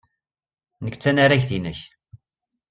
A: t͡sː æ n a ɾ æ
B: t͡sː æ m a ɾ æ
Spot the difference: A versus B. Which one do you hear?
A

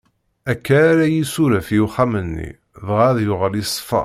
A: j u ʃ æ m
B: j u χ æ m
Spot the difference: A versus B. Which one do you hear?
B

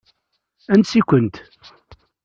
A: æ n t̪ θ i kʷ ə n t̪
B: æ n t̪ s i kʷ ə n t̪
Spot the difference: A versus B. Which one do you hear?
B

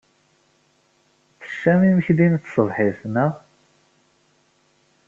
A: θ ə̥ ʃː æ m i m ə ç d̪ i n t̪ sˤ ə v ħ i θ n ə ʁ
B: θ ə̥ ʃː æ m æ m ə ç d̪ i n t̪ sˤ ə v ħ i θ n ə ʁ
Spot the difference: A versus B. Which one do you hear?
A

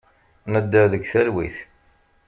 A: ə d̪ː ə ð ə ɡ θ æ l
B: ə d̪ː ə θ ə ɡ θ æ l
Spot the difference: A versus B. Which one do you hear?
A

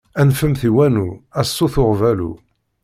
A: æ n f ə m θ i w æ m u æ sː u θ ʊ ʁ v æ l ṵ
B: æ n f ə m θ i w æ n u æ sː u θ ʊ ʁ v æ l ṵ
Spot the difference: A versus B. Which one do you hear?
B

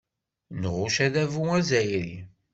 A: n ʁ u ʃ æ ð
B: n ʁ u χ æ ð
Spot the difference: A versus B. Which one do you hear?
A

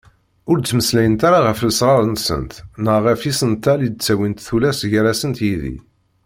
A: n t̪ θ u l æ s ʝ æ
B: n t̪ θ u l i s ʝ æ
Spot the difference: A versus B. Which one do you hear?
A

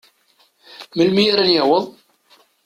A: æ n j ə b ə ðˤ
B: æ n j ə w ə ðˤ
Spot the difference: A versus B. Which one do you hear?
B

